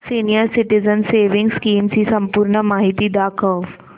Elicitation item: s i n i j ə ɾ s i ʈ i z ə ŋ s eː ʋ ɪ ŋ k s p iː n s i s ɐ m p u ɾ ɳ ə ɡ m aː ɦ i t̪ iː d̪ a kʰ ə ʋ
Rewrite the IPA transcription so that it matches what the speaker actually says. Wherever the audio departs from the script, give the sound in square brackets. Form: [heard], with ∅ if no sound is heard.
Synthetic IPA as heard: s i n i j ə ɾ s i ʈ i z ə [n] s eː ʋ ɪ ŋ [ɡ] s [k] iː [m] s i s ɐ m p u ɾ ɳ ə [∅] m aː ɦ i t̪ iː d̪ a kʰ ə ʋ